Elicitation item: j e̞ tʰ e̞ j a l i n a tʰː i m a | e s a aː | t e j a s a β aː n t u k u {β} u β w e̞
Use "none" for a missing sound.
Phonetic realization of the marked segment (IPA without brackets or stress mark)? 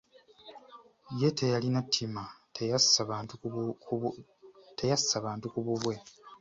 β